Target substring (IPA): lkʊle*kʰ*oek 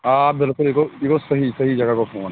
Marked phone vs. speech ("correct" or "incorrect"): incorrect